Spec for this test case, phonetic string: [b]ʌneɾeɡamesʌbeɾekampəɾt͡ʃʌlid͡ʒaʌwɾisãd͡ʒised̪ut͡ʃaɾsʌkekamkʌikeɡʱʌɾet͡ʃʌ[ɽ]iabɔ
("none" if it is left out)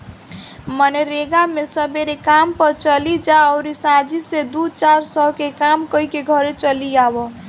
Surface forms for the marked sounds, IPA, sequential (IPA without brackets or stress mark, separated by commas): m, l